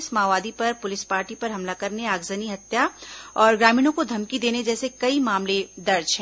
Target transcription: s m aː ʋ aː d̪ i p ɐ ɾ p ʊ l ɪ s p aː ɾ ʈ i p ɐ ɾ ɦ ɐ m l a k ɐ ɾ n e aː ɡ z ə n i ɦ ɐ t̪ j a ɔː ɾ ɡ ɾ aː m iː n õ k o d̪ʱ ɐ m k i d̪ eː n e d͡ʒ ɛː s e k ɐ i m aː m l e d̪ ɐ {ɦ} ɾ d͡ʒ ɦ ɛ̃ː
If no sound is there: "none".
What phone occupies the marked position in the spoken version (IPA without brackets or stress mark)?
none